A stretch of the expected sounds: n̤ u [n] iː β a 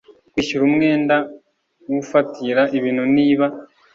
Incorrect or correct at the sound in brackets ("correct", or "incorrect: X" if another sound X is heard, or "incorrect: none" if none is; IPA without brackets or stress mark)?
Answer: correct